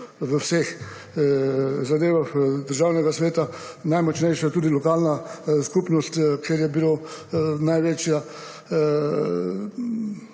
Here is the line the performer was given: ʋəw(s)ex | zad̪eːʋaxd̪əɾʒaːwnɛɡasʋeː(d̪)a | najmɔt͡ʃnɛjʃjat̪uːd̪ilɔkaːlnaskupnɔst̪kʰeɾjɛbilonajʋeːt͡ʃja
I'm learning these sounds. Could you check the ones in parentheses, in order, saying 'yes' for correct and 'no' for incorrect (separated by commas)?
yes, no